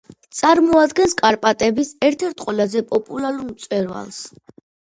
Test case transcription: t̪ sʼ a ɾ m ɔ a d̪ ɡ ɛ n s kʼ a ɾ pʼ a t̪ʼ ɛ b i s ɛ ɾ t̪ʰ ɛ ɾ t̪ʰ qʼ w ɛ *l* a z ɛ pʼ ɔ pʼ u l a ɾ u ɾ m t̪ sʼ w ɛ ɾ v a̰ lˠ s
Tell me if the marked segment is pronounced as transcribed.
yes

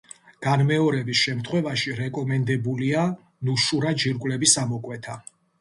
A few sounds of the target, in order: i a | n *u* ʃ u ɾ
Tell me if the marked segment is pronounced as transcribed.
yes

